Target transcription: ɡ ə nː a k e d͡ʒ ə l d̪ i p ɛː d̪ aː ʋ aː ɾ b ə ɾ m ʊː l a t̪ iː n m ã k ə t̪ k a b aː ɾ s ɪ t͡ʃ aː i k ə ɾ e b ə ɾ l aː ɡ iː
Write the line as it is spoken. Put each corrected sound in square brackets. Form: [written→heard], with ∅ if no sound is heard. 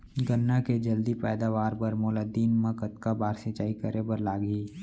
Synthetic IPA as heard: ɡ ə nː a k e d͡ʒ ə l d̪ i p ɛː d̪ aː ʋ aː ɾ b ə ɾ m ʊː l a [t̪→d̪] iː n m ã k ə t̪ k a b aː ɾ s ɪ t͡ʃ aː i k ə ɾ e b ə ɾ l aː ɡ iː

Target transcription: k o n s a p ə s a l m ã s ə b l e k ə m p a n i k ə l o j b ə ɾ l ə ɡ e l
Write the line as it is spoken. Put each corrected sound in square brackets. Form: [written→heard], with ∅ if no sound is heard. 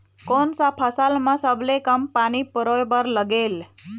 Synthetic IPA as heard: k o n s a [p→pʰ] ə s a l m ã s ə b l e k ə m p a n i [k→p] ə [l→ɾ] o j b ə ɾ l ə ɡ e l

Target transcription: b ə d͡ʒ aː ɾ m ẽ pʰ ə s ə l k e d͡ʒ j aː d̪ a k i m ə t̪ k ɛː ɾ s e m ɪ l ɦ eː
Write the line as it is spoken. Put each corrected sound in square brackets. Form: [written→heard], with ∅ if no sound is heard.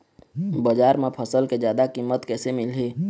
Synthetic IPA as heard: b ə d͡ʒ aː ɾ m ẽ pʰ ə s ə l k e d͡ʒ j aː d̪ a k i m ə t̪ k ɛː [ɾ→∅] s e m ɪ l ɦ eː

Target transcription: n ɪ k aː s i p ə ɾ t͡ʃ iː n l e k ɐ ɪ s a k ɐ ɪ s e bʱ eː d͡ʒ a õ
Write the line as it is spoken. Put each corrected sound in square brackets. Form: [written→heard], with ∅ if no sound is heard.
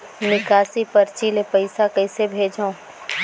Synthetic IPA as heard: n ɪ k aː s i p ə ɾ t͡ʃ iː [n→∅] l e [k→p] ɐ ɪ s a k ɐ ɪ s e bʱ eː d͡ʒ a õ

